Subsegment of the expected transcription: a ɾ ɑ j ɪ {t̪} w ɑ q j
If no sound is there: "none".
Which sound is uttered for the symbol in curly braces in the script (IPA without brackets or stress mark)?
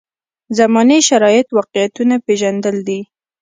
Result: t̪